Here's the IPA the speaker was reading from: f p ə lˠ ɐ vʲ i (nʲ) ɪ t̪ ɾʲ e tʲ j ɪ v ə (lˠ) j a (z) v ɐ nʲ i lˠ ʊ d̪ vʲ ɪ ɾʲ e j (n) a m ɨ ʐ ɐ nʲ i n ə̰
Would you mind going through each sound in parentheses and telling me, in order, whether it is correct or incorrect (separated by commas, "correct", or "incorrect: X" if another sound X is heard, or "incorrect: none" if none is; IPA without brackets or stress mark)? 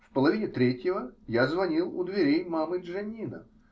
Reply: correct, incorrect: none, correct, incorrect: m